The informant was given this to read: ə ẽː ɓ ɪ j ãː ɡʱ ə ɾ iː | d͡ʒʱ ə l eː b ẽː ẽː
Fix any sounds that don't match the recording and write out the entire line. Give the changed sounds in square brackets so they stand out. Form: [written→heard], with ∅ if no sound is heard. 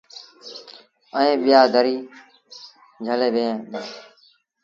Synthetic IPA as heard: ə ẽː ɓ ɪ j [ãː→aː] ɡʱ ə ɾ iː | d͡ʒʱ ə l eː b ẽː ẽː

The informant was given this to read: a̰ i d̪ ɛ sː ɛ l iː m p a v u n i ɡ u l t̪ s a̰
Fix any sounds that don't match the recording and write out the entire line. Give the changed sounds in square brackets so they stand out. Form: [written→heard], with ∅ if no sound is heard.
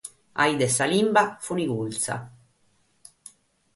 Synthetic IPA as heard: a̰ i d̪ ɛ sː [ɛ→a] l [iː→i] m [p→b] a [v→f] u n i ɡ u l t̪ s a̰

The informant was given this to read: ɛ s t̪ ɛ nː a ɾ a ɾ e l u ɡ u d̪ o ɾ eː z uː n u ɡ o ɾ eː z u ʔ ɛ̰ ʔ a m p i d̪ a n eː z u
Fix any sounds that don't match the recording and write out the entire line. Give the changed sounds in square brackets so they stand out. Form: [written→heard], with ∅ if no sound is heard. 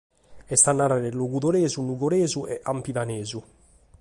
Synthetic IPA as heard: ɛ s t̪ [ɛ→a] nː a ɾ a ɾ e l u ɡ u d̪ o ɾ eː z [uː→u] n u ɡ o ɾ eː z u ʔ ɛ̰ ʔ a m p i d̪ a n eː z u

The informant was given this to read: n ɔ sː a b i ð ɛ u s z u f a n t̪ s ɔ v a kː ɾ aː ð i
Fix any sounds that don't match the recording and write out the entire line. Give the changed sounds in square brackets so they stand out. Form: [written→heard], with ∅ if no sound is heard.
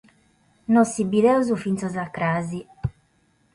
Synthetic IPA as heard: n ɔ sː [a→i] b i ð ɛ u [s→∅] z u f [a→i] n t̪ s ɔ [v→z] a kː ɾ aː [ð→z] i

